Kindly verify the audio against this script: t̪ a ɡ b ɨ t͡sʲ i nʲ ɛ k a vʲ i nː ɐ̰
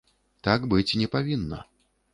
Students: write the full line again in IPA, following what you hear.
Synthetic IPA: t̪ a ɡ b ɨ t͡sʲ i nʲ ɛ p a vʲ i nː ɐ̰